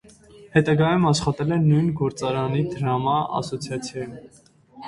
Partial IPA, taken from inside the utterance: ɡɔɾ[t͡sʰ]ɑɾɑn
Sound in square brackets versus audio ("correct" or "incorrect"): incorrect